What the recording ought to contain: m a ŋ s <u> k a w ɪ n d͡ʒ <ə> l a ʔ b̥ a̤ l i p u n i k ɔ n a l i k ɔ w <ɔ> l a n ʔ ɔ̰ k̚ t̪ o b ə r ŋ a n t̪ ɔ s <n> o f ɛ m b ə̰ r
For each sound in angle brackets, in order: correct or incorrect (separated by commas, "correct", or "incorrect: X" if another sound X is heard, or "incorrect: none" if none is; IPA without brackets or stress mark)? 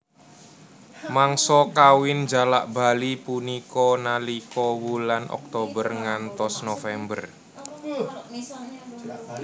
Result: incorrect: ɔ, incorrect: a, incorrect: u, correct